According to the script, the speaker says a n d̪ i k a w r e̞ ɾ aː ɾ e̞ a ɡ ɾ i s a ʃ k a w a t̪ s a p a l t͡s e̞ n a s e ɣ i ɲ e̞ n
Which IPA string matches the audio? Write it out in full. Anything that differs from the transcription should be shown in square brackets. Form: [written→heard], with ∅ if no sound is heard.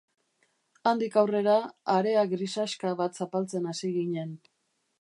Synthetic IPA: a n d̪ i k a w r e̞ ɾ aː ɾ e̞ a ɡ ɾ i s a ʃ k a [w→β] a t̪ s a p a l t͡s e̞ n a s [e→i] ɣ i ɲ e̞ n

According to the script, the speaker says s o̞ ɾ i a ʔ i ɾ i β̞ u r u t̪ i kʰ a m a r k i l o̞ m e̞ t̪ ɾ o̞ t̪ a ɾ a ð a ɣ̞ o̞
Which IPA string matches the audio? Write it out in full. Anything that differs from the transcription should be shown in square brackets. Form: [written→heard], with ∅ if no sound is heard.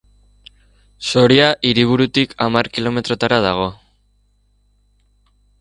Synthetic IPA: s o̞ ɾ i a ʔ i ɾ i β̞ u [r→ɾ] u t̪ i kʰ a m a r k i l o̞ m e̞ t̪ ɾ o̞ t̪ a ɾ a ð a ɣ̞ o̞

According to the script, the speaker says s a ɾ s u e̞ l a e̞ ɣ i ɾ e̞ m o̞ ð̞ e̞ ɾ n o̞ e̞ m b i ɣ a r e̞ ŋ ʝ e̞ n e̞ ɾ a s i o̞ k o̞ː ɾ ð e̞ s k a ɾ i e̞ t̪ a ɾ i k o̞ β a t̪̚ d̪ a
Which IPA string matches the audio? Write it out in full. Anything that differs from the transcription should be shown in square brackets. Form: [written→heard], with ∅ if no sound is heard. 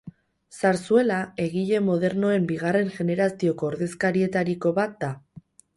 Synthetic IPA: s a ɾ s u e̞ l a e̞ ɣ i [ɾ→ʎ] e̞ m o̞ ð̞ e̞ ɾ n o̞ e̞ m b i ɣ a r e̞ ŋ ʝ e̞ n e̞ ɾ a s i o̞ k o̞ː ɾ ð e̞ s k a ɾ i e̞ t̪ a ɾ i k o̞ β a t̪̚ d̪ a

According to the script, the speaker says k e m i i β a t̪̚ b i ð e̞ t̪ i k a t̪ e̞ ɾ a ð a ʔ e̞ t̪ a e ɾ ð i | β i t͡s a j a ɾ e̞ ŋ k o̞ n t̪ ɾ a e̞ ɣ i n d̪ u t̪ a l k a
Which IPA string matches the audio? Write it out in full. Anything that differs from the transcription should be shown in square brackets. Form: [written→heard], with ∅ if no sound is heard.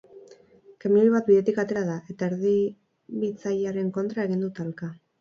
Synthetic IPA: k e m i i β a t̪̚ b i ð e̞ t̪ i k a t̪ e̞ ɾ a ð a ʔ e̞ t̪ a e ɾ ð i | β i t͡s a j a ɾ e̞ ŋ k o̞ n t̪ ɾ a e̞ ɣ i n d̪ u t̪ a l k a

